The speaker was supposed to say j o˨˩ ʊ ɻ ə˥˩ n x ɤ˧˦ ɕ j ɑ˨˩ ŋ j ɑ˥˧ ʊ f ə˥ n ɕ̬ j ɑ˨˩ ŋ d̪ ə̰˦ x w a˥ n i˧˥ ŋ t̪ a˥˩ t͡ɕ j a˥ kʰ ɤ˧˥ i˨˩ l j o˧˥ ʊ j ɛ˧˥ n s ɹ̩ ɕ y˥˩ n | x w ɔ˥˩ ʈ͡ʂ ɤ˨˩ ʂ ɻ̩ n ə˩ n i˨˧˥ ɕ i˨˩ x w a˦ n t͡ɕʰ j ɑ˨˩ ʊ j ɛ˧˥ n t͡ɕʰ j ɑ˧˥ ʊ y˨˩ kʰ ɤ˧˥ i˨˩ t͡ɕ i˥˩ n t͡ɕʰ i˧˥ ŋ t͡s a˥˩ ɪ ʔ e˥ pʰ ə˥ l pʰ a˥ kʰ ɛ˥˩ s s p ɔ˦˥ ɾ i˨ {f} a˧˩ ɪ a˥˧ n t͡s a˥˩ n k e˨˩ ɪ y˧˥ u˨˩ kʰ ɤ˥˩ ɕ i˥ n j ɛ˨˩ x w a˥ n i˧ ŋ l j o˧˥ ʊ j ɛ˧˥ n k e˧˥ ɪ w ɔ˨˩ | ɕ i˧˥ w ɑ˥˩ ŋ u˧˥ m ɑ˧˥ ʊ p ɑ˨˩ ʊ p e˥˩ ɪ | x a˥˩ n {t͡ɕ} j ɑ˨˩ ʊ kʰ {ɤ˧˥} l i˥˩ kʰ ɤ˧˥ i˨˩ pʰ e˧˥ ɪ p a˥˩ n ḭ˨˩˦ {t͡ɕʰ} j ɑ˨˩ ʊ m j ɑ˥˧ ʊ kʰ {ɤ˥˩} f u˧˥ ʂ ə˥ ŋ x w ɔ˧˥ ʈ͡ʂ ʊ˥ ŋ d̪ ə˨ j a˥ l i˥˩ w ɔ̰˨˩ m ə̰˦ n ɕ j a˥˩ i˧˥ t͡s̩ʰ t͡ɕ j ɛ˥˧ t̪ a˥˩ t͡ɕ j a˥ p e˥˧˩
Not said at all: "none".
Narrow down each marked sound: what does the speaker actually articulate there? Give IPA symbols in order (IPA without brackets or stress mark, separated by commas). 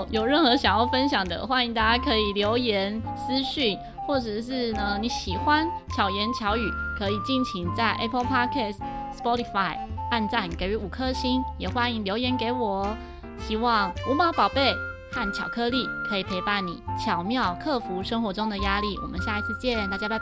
f, t͡ɕʰ, ɤ˥˧, t͡ɕʰ, ɤ˥˩